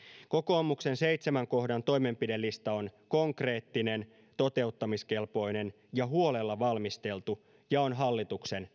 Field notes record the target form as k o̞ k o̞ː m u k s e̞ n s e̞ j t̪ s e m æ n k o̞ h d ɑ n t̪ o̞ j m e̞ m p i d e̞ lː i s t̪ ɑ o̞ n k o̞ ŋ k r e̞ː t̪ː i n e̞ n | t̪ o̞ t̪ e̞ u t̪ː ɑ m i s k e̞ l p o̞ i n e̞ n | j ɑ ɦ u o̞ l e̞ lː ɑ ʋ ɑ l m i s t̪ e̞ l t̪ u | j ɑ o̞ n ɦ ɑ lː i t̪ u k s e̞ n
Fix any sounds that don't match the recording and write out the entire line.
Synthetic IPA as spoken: k o̞ k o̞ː m u k s e̞ n s e̞ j t̪ s e m æ ŋ k o̞ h d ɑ n t̪ o̞ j m e̞ m p i d e̞ lː i s t̪ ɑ o̞ n k o̞ ŋ k r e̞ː t̪ː i n e̞ n | t̪ o̞ t̪ e̞ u t̪ː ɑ m i s k e̞ l p o̞ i n e̞ n | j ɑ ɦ u o̞ l e̞ lː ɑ ʋ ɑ l m i s t̪ e̞ l t̪ u | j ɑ o̞ n ɦ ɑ lː i t̪ u k s e̞ n

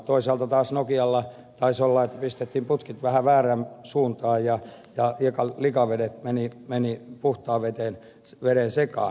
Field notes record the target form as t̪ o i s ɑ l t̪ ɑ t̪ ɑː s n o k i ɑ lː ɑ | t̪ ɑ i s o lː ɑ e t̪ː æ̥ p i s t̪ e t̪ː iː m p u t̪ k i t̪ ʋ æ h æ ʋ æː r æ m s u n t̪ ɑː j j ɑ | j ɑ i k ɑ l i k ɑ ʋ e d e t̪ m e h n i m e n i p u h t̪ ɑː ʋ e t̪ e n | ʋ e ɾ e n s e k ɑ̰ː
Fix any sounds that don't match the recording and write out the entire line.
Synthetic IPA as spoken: t̪ o i s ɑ l t̪ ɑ t̪ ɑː s n o k i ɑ lː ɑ | t̪ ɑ i s o lː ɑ e t̪ː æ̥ p i s t̪ e t̪ː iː m p u t̪ k i t̪ ʋ æ h æ ʋ æː r æ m s uː n t̪ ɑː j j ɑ | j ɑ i k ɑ l i k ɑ ʋ e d e t̪ m e n i m e n i p u h t̪ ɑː ʋ e t̪ e n | ʋ e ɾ e n s e k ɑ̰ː

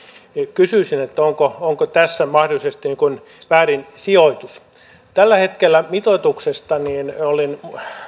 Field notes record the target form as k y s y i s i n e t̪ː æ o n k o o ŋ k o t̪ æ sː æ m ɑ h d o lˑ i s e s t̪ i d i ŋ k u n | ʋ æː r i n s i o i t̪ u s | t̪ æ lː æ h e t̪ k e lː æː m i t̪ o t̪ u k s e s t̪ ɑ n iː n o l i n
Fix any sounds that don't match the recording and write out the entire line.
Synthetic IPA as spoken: k y s y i s i n e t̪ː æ o ŋ k o o ŋ k o t̪ æ sː æ m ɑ h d o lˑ i s e s t̪ i n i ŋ k u n | ʋ æː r i n s i o i t̪ u s | t̪ æ lː æ h e t̪ k e lː æ m i t̪ o t̪ u k s e s t̪ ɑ n iː n o l i n

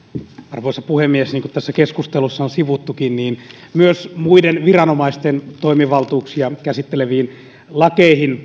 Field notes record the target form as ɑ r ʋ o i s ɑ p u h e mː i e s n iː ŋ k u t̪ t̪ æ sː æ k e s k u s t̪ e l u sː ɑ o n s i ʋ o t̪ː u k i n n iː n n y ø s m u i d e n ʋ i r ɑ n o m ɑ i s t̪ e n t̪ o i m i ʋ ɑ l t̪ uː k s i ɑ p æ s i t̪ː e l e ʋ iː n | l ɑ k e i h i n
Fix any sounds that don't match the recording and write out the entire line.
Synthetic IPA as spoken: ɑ r ʋ o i s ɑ p u h e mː i e s n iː ŋ k u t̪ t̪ æ sː æ k e s k u s t̪ e l u sː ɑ o n s i ʋ u t̪ː u k i n n iː n m y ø s m u i d e n ʋ i r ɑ n o m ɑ i s t̪ e n t̪ o i m i ʋ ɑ l t̪ uː k s i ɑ k æ s i t̪ː e l e ʋ iː n | l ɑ k e i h i n

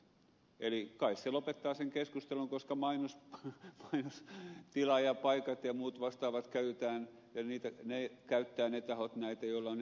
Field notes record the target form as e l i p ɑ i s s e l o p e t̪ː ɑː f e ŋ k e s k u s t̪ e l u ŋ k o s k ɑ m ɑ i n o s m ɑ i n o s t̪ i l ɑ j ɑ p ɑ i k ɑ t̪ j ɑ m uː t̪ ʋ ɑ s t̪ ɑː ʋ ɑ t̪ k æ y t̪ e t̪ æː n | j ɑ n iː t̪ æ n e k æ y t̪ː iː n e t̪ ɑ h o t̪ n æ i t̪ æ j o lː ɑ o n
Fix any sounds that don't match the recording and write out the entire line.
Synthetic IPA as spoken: e l i k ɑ i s s e l o p e t̪ː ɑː s e ŋ k e s k u s t̪ e l u ŋ k o s k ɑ m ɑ i n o s m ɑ i n o s t̪ i l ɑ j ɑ p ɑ i k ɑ t̪ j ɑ m uː t̪ ʋ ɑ s t̪ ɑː ʋ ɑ t̪ k æ y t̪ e t̪ æː n | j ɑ n iː t̪ æ n e k æ y t̪ː æː n e t̪ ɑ h o t̪ n æ i t̪ æ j o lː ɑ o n

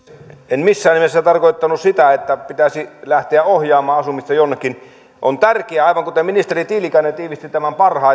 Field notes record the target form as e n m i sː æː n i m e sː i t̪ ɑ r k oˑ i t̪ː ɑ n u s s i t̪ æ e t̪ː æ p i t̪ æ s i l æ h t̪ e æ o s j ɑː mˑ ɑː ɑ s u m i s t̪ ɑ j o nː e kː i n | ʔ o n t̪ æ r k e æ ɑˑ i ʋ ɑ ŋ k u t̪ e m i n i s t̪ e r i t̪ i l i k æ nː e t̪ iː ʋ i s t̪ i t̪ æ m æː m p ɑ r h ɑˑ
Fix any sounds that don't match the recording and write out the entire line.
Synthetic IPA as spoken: e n m i sː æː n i m e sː æ t̪ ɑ r k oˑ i t̪ː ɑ n u s s i t̪ æ e t̪ː æ p i t̪ æ s i l æ h t̪ e æ o h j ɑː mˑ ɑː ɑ s u m i s t̪ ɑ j o nː e kː i n | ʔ o n t̪ æ r k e æ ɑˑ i ʋ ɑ ŋ k u t̪ e m i n i s t̪ e r i t̪ i l i k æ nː e t̪ iː ʋ i s t̪ i t̪ æ m æ m p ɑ r h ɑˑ

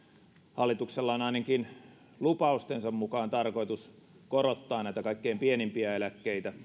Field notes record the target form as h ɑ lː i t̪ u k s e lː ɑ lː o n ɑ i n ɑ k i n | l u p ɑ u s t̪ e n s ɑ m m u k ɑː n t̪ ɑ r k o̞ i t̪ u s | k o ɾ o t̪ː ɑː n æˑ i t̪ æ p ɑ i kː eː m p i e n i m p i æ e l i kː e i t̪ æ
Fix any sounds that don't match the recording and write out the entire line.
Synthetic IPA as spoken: h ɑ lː i t̪ u k s e lː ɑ o n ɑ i n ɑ k i n | l u p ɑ u s t̪ e n s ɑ m m u k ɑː n t̪ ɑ r k o̞ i t̪ u s | k o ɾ o t̪ː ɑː n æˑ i t̪ æ k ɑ i kː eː m p i e n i m p i æ e l æ kː e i t̪ æ

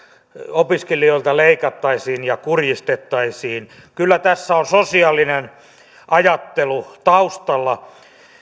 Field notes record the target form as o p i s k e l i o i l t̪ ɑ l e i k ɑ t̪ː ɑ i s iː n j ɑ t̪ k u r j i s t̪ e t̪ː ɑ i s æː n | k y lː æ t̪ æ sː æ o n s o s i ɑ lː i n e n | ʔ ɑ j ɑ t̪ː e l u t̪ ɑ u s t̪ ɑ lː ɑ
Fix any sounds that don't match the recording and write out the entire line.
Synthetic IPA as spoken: o p i s k e l i o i l t̪ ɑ l e i k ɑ t̪ː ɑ i s iː n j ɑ k u r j i s t̪ e t̪ː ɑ i s iː n | k y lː æ t̪ æ sː æ o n s o s i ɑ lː i n e n | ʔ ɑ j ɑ t̪ː e l u t̪ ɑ u s t̪ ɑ lː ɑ

